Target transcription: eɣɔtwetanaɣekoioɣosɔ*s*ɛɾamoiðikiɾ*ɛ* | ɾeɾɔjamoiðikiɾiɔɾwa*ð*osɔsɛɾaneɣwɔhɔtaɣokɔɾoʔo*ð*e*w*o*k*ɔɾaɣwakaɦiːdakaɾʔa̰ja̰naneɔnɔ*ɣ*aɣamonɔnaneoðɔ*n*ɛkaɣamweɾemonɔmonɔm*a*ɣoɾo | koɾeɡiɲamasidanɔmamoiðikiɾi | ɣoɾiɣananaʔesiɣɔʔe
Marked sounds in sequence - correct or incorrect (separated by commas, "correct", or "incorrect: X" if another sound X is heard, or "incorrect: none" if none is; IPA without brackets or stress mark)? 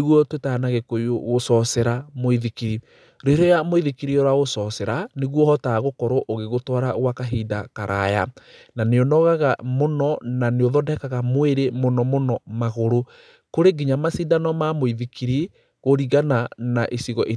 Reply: correct, incorrect: i, incorrect: ɣ, incorrect: ɣ, incorrect: ɣ, incorrect: t, correct, incorrect: d, correct